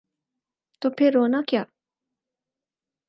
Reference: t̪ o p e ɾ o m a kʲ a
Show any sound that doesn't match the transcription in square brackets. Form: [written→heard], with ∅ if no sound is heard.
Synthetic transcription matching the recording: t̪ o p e ɾ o [m→n] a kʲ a

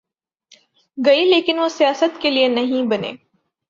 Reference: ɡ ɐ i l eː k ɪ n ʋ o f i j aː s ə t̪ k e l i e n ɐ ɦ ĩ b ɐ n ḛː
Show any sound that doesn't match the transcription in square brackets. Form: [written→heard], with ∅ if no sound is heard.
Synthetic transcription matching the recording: ɡ ɐ i l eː k ɪ n ʋ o [f→s] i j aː s ə t̪ k e l i e n ɐ ɦ ĩ b ɐ n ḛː

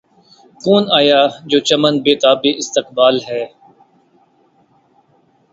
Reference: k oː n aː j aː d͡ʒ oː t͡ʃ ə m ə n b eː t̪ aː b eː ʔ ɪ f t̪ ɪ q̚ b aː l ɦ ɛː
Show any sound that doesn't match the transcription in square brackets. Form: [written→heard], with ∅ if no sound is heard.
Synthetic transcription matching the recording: k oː n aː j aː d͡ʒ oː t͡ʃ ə m ə n b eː t̪ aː b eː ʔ ɪ [f→s] t̪ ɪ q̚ b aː l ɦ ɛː

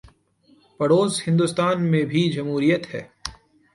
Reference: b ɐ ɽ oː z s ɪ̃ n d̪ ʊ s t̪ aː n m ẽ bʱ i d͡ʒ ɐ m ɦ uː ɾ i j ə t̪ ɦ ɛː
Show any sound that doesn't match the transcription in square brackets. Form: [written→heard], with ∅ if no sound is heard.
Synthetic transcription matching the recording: [b→p] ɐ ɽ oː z [s→h] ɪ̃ n d̪ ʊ s t̪ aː n m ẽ bʱ i d͡ʒ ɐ m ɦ uː ɾ i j ə t̪ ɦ ɛː

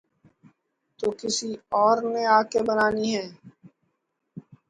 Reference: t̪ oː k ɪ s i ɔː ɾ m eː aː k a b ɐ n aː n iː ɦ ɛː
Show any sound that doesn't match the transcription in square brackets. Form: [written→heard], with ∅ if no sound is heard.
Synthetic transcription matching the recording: t̪ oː k ɪ s i ɔː ɾ [m→n] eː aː k [a→e] b [ɐ→ə] n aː n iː ɦ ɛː

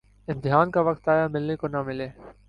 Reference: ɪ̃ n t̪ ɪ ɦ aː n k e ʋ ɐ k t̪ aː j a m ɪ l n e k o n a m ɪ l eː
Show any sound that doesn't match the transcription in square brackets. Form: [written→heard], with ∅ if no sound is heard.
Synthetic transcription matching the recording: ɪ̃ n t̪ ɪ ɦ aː n k [e→a] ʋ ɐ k t̪ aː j a m ɪ l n e k o n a m ɪ l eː

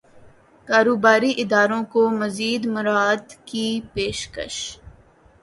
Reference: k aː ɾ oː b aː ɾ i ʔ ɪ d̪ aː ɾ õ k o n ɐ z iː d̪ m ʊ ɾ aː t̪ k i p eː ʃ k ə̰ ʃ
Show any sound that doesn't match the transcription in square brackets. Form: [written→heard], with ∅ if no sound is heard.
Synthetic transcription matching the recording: k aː ɾ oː b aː ɾ i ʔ ɪ d̪ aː ɾ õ k o [n→m] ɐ z iː d̪ m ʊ ɾ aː [t̪→d̪] k i p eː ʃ k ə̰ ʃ

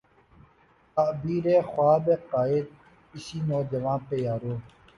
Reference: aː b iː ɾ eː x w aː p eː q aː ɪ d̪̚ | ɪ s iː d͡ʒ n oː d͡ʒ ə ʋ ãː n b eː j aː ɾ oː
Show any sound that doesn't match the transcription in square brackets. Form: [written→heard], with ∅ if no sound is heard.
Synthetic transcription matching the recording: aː b iː ɾ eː x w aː [p→b] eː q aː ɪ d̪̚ | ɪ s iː [d͡ʒ→∅] n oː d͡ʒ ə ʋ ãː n [b→p] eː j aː ɾ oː

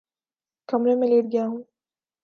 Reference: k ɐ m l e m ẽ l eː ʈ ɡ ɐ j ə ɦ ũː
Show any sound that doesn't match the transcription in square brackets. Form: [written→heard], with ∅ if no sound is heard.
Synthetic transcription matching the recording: k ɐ m [l→ɾ] e m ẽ l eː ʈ ɡ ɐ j [ə→a] ɦ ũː

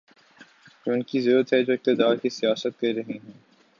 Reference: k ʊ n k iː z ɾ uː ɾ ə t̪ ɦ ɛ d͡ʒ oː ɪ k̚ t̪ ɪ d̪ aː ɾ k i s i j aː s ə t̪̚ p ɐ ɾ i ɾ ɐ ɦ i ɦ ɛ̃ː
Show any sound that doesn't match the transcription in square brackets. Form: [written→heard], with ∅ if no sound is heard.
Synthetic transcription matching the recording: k ʊ n k [iː→i] z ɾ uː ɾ ə t̪ ɦ ɛ d͡ʒ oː ɪ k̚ t̪ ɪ d̪ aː ɾ k i s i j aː s ə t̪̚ [p→k] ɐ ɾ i ɾ ɐ ɦ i ɦ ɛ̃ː

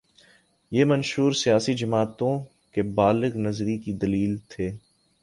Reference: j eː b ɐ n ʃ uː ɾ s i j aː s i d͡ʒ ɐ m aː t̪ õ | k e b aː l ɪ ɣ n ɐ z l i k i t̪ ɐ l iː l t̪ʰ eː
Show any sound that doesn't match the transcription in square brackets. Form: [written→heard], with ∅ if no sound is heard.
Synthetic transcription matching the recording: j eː [b→m] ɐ n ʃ uː ɾ s i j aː s i d͡ʒ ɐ m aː t̪ õ | k e b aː l ɪ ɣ n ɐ z [l→ɾ] i k i [t̪→d̪] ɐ l iː l t̪ʰ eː

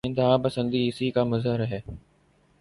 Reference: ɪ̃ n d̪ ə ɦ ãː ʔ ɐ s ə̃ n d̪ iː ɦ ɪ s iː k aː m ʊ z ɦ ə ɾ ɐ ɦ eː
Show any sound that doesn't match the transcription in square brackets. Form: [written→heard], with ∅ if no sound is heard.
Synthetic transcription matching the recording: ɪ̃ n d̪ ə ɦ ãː [ʔ→p] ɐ s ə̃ n d̪ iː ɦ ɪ s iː k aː m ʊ z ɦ ə ɾ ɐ ɦ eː

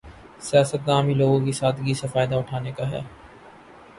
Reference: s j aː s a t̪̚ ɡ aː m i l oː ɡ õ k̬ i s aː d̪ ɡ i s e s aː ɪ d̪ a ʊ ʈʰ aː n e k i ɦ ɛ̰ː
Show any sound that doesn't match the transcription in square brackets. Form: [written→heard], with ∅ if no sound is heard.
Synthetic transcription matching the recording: s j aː s [a→ə] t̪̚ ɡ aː m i l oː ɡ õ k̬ i s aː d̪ ɡ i s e [s→f] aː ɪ d̪ a ʊ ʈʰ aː n e k [i→a] ɦ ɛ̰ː

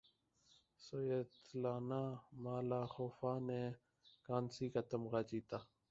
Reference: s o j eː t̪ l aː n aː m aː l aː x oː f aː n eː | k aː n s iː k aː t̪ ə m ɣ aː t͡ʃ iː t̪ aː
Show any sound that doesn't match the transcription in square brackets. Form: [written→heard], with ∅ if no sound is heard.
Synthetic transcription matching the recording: s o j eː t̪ l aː n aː m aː l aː x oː f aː n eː | k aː n s iː k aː t̪ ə m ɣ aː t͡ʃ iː t̪ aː

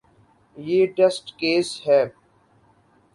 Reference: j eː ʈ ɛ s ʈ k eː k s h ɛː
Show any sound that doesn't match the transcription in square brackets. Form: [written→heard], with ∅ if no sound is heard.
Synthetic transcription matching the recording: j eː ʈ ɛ s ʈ k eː [k→∅] s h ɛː

